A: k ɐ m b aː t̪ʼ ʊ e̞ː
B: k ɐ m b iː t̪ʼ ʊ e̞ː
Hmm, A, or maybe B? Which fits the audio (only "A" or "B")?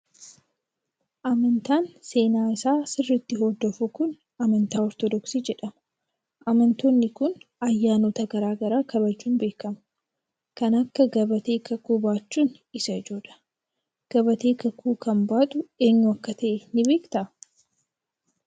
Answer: A